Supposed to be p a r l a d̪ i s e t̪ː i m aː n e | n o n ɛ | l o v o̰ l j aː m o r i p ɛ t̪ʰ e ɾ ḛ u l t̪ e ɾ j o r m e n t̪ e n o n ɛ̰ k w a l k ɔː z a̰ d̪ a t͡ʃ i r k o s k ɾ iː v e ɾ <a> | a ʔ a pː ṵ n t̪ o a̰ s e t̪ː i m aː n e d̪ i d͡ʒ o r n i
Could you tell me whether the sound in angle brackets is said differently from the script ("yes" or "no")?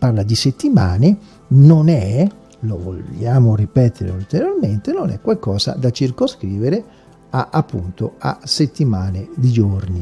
yes